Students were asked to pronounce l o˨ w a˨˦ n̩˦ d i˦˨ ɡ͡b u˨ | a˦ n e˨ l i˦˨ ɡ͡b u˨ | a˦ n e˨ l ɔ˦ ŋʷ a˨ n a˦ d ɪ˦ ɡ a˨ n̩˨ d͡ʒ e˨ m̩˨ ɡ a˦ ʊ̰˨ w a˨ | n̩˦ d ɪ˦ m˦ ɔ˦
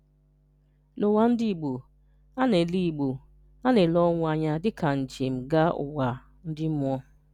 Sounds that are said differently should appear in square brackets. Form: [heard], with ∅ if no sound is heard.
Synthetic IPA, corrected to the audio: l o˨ w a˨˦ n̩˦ d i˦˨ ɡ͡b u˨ | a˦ n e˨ l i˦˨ ɡ͡b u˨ | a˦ n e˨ l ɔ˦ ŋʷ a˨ [ɲ] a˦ d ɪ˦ [k] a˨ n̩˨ d͡ʒ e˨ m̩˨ ɡ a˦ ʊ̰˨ w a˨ | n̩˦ d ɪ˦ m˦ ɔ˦